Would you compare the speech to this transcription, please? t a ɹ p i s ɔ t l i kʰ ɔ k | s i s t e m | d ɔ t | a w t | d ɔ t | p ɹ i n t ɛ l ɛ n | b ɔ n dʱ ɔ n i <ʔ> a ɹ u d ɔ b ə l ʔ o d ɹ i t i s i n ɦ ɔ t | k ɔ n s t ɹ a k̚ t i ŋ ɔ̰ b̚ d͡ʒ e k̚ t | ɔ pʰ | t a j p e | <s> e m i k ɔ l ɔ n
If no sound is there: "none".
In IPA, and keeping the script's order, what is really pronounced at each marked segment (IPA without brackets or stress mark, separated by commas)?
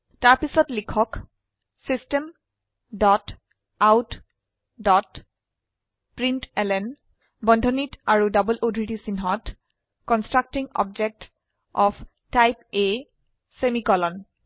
t, s